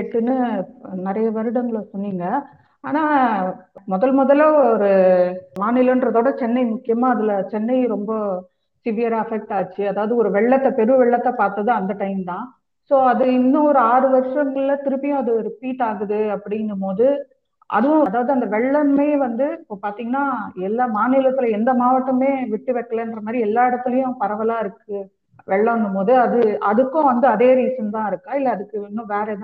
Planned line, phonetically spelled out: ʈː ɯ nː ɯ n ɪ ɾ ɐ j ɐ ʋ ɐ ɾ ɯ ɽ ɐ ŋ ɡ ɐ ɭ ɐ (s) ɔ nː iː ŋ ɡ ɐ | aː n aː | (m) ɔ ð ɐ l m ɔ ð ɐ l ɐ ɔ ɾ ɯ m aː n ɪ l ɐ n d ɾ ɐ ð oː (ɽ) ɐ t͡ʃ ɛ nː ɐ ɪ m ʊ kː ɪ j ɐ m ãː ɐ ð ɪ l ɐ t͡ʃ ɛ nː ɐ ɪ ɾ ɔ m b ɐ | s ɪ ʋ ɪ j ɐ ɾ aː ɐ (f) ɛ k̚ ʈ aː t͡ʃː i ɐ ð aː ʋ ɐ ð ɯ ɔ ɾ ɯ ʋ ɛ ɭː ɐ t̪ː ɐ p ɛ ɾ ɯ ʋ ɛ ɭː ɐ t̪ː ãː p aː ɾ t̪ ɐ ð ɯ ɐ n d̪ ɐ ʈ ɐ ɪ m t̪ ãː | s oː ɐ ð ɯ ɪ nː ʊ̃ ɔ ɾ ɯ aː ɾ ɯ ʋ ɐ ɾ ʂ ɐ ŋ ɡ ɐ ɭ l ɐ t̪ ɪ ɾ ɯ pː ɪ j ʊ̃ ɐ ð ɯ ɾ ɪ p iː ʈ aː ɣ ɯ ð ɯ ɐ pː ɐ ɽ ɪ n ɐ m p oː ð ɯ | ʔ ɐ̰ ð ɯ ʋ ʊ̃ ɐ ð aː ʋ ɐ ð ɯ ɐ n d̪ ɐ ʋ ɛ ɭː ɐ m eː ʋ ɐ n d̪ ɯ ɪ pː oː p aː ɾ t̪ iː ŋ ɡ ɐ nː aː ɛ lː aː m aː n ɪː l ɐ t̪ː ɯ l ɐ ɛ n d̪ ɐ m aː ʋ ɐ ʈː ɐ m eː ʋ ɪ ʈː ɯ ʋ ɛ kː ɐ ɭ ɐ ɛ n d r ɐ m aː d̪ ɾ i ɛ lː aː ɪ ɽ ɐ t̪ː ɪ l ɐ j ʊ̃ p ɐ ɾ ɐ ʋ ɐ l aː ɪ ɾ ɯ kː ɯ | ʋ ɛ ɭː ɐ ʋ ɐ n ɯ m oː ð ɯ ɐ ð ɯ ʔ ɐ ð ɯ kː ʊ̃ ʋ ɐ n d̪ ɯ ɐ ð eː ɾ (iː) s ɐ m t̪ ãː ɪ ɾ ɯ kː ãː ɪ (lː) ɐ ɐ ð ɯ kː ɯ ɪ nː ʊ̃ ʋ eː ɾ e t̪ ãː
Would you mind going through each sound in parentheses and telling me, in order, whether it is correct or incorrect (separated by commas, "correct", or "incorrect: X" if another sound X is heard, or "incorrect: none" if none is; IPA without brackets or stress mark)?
correct, correct, correct, correct, correct, correct